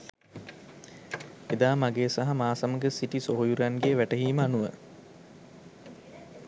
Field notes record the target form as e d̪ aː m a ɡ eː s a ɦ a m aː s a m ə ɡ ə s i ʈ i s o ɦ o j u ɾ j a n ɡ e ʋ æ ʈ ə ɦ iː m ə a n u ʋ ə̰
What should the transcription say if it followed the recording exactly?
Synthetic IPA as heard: e d̪ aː m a ɡ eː s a ɦ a m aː s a m ə ɡ ə s i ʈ i s o ɦ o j u ɾ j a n ɡ e ʋ æ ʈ ə ɦ iː m ə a n u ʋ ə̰